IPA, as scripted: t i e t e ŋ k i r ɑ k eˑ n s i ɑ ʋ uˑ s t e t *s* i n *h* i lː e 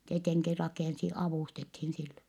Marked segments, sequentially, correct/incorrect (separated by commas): incorrect, incorrect